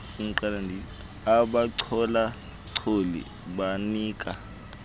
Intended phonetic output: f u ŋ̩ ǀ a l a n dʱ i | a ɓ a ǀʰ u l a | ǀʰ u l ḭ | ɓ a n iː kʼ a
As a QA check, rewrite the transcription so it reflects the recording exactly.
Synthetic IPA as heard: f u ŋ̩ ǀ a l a n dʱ i | a ɓ a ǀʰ ɔ l a | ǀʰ o l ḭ | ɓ a n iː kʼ a